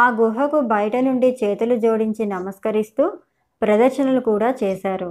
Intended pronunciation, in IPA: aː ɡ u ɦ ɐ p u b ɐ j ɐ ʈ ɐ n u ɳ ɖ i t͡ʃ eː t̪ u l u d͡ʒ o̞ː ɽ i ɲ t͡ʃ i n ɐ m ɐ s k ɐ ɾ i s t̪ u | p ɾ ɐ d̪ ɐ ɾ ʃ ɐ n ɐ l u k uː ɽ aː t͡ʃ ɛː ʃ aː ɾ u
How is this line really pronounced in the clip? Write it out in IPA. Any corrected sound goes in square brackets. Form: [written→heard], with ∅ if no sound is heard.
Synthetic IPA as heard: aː ɡ u ɦ ɐ [p→k] u b ɐ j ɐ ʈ ɐ n u ɳ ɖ i t͡ʃ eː t̪ u l u d͡ʒ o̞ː ɽ i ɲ t͡ʃ i n ɐ m ɐ s k ɐ ɾ i s t̪ [u→uː] | p ɾ ɐ d̪ ɐ ɾ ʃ ɐ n ɐ l u k uː ɽ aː t͡ʃ ɛː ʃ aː ɾ u